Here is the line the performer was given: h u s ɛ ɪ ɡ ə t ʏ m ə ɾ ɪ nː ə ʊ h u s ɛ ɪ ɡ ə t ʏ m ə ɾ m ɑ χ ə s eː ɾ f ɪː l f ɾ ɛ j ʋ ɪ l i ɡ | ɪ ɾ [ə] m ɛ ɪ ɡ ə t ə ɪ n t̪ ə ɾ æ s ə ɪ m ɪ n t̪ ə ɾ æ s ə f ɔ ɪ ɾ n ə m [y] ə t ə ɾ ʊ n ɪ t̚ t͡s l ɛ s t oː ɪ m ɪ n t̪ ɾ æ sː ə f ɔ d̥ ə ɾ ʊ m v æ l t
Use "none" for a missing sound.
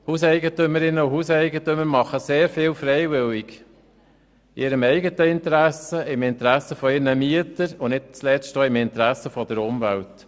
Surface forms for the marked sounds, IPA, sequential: ə, i

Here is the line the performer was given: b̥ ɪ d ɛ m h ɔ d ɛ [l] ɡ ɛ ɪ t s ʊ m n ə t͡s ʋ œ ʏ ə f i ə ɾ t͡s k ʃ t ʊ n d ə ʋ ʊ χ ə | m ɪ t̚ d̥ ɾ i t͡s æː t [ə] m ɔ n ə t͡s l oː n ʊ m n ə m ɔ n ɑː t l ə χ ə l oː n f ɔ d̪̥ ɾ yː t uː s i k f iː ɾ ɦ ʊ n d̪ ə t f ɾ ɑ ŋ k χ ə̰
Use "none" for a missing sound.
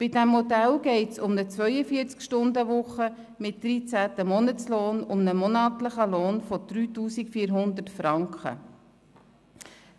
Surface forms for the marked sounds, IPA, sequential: l, ə

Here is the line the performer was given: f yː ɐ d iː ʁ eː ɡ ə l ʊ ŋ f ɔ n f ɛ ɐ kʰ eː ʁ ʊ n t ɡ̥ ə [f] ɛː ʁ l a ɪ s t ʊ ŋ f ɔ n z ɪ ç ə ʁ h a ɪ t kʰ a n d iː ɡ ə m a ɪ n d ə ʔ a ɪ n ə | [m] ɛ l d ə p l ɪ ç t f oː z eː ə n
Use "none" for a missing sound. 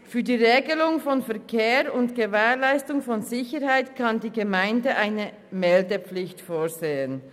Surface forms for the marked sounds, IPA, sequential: v, m

